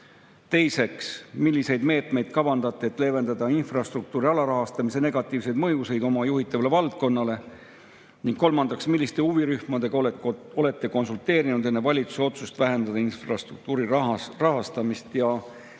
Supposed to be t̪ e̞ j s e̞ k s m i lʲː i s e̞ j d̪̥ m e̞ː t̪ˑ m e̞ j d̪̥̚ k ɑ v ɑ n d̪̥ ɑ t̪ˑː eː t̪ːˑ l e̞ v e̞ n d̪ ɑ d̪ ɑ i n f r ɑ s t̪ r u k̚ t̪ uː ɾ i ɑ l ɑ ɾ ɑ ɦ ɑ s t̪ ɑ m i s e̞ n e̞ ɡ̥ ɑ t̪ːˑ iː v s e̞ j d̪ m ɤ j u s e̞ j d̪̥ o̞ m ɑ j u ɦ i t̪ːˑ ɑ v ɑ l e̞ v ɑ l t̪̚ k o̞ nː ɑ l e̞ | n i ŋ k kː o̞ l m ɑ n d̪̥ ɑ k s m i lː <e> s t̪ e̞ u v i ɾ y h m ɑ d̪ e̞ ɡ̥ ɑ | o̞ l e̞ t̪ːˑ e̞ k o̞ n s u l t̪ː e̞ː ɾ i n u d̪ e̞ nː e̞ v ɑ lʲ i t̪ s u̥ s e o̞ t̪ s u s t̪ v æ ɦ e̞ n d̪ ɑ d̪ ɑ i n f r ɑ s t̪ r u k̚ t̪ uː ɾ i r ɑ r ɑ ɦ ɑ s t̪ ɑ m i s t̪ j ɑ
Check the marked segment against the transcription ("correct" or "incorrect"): incorrect